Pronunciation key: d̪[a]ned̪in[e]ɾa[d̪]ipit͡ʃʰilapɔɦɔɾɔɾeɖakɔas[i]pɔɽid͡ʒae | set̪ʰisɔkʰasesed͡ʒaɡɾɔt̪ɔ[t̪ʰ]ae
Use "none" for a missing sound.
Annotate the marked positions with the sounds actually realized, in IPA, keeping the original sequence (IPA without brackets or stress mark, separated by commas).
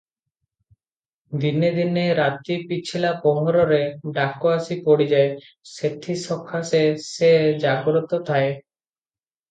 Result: i, e, t̪, i, t̪ʰ